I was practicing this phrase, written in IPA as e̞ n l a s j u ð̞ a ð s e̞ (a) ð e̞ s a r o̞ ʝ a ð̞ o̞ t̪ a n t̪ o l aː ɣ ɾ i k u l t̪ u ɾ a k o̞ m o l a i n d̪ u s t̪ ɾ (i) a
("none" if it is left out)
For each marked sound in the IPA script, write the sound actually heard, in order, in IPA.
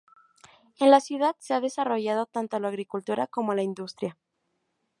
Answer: a, j

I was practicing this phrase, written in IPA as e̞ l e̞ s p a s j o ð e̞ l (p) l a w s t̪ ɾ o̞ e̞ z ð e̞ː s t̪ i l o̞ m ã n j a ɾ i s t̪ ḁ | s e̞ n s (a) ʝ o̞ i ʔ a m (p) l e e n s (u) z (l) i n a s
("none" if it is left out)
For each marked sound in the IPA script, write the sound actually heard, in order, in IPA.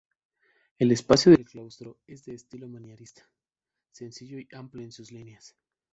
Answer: k, i, p, u, l

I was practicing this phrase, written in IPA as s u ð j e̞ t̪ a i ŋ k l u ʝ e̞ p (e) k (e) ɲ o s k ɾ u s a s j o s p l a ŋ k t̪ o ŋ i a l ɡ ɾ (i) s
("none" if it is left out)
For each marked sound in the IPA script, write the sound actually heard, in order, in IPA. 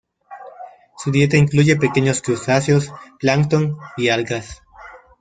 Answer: e, e, a

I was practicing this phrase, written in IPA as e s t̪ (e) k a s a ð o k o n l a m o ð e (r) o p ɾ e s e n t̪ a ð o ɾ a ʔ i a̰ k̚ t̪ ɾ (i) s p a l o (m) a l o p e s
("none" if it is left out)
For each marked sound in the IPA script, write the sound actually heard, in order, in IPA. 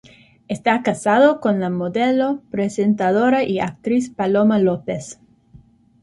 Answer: a, l, i, m

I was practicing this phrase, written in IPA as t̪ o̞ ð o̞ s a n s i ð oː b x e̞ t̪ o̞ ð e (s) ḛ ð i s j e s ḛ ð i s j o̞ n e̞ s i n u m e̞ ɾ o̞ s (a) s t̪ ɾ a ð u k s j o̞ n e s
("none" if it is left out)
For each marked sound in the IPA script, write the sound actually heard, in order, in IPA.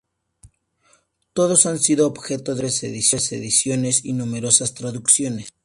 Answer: s, a

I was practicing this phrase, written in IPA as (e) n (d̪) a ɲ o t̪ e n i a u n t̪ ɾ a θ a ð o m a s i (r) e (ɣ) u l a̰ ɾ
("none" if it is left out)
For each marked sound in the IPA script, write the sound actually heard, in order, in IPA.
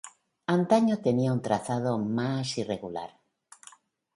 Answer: a, t̪, r, ɣ

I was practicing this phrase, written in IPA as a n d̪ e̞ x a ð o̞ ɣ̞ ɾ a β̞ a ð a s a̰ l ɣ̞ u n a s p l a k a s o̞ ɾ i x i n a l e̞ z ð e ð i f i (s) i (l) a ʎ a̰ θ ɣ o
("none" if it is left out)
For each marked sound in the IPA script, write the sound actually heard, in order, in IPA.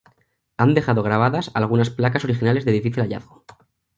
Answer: θ, l

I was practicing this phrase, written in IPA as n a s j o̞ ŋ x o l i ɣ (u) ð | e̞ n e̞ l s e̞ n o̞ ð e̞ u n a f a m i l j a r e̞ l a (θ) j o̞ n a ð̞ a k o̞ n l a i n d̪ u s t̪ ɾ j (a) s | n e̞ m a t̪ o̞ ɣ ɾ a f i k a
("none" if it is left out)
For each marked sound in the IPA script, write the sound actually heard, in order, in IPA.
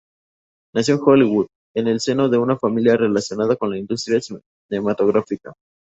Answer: u, s, a

